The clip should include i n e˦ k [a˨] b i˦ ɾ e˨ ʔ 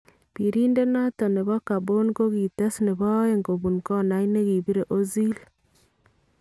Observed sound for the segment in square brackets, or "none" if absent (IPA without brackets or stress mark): i˨